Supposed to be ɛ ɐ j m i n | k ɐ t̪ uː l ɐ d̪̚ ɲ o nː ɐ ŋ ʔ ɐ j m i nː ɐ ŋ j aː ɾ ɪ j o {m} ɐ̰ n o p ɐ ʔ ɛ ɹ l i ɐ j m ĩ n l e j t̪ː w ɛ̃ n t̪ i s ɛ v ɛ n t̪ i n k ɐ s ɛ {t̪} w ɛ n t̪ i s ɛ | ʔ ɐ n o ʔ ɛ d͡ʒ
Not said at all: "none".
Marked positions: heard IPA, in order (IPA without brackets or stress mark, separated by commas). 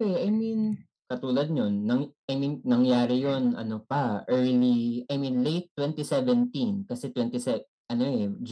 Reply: n, t̪